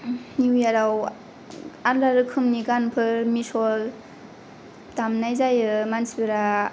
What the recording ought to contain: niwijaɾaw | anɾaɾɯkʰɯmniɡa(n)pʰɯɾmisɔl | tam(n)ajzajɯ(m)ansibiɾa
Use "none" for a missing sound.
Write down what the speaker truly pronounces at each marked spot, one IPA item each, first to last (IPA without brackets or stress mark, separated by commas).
n, n, m